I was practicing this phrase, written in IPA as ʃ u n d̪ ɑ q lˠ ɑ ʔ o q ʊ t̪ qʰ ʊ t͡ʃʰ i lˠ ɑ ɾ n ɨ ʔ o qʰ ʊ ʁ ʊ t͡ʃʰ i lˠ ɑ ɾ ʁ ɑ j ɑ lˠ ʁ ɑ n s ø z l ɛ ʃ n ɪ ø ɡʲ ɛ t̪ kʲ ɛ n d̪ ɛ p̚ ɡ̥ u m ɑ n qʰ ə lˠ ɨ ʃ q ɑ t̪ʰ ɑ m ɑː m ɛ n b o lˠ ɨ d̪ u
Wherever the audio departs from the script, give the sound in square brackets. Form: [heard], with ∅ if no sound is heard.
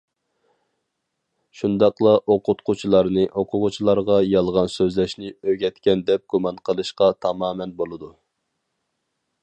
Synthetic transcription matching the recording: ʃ u n d̪ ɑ q lˠ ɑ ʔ o q ʊ t̪ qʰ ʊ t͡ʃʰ i lˠ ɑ ɾ n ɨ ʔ o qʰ ʊ ʁ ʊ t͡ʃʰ i lˠ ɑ ɾ ʁ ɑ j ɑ lˠ ʁ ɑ n s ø z l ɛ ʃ n ɪ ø ɡʲ ɛ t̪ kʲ ɛ n d̪ ɛ p̚ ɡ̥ u m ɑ n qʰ ə lˠ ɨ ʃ q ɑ t̪ʰ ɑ m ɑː m ɛ n b o lˠ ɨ d̪ u